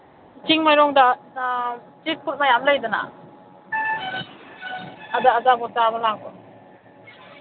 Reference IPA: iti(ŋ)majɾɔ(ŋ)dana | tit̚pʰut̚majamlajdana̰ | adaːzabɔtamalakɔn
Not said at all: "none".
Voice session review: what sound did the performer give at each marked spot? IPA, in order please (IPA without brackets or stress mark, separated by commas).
ŋ, ŋ